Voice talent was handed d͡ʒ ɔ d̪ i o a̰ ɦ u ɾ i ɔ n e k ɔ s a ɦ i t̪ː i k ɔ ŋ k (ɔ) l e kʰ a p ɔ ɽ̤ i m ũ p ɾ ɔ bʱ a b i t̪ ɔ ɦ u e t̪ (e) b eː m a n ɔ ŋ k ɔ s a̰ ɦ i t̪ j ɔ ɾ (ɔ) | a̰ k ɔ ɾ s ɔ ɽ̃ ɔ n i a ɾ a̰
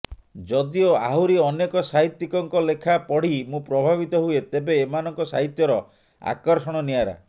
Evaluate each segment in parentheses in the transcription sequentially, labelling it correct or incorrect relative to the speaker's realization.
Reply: correct, correct, correct

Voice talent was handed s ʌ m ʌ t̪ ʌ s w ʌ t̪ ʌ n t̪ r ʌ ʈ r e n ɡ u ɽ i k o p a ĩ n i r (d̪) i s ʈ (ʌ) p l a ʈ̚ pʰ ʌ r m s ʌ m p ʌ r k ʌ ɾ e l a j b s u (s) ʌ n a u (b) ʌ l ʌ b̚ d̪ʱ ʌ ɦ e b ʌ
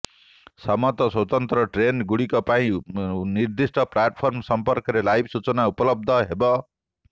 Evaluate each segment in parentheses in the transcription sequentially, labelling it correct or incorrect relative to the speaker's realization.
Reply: correct, correct, incorrect, incorrect

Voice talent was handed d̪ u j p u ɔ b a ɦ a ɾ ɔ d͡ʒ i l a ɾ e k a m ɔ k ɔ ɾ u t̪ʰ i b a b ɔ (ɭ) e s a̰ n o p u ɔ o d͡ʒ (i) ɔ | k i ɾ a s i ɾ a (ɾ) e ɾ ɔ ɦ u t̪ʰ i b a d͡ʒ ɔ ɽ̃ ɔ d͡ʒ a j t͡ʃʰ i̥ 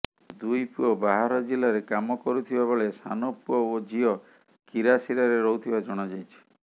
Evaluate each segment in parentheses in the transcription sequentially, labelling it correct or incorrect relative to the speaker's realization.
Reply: correct, correct, correct

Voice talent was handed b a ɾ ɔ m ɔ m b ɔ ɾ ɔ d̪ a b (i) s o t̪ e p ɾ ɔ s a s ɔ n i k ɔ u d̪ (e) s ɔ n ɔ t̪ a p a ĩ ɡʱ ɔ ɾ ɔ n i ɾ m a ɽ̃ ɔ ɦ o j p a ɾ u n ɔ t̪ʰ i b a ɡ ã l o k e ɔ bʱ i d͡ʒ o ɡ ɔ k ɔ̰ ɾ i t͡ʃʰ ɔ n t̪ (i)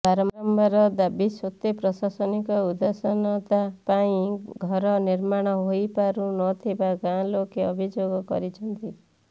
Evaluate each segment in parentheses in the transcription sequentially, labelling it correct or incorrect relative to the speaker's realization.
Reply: correct, incorrect, correct

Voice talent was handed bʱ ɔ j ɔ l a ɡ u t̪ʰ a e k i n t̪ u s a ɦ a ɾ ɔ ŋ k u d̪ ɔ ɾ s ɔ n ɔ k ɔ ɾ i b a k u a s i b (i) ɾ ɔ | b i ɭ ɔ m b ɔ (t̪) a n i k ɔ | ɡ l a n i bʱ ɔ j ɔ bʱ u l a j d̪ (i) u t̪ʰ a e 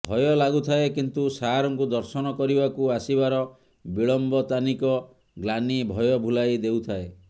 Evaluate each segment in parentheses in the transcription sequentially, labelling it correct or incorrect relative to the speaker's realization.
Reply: incorrect, correct, incorrect

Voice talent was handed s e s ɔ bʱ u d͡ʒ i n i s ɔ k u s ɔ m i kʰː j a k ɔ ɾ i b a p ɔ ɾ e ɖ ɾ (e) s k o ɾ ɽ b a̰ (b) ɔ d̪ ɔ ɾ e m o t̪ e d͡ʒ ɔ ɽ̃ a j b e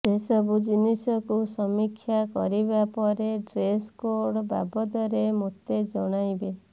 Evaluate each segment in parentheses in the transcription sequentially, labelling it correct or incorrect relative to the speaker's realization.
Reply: correct, correct

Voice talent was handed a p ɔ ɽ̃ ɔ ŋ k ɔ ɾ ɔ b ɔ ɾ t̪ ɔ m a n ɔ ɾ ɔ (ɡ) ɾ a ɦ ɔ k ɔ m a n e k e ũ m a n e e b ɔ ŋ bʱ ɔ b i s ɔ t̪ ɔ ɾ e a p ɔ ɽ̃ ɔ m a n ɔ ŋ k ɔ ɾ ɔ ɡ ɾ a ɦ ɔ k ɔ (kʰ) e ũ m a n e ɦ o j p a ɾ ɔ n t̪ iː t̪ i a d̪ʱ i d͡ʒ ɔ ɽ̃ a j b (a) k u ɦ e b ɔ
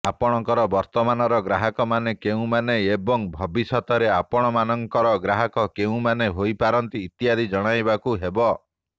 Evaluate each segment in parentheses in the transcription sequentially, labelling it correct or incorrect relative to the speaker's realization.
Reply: correct, incorrect, correct

